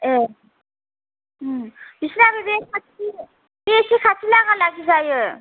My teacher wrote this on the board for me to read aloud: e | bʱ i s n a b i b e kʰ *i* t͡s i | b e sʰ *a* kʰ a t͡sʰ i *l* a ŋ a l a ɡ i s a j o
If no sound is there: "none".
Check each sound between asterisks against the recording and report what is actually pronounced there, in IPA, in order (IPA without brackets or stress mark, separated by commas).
a, i, l